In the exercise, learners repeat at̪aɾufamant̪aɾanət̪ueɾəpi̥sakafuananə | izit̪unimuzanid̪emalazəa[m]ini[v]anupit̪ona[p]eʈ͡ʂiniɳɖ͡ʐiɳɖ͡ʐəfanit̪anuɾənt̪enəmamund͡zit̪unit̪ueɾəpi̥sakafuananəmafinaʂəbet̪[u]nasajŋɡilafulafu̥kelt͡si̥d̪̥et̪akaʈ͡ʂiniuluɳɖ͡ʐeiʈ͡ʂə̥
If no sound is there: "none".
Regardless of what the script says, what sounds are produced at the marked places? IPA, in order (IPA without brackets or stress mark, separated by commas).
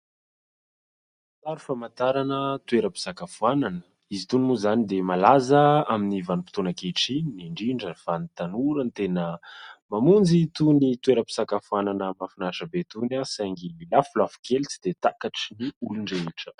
m, v, k, u